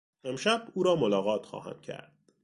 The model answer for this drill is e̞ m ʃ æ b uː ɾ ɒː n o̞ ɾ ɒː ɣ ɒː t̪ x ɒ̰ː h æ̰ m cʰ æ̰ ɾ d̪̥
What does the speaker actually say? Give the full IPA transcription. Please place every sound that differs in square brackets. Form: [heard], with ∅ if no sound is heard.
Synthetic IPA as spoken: e̞ m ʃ æ b uː ɾ ɒː [m] o̞ [l] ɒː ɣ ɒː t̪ x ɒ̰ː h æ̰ m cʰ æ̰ ɾ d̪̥